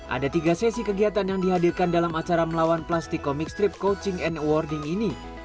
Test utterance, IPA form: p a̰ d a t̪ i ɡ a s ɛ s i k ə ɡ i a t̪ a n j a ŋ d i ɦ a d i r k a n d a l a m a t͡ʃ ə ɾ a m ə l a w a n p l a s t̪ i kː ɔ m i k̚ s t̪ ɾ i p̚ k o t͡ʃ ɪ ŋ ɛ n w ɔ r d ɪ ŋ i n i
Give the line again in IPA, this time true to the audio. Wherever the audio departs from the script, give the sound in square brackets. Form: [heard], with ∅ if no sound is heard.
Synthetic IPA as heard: [ʔ] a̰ d a t̪ i ɡ a s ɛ s i k ə ɡ i a t̪ a n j a ŋ d i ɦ a d i r k a n d a l a m a t͡ʃ [a] ɾ a m ə l a w a n p l a s t̪ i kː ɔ m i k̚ s t̪ ɾ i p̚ k o t͡ʃ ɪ ŋ ɛ n w ɔ r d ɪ ŋ i n i